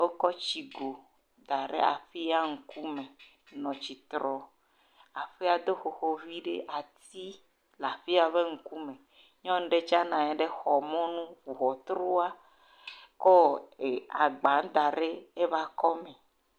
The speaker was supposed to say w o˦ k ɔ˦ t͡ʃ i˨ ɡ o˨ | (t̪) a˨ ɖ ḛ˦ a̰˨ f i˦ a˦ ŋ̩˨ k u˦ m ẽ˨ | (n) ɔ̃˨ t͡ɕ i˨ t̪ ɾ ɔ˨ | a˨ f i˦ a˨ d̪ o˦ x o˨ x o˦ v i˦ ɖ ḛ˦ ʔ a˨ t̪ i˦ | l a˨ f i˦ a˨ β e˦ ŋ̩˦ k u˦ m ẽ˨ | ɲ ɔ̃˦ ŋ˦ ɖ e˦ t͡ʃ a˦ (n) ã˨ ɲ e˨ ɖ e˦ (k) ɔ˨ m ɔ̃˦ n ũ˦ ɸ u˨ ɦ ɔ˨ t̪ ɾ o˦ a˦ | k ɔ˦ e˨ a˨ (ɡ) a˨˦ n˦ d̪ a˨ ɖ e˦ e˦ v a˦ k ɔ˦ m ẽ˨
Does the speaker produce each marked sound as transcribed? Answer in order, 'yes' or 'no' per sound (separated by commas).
no, yes, yes, no, no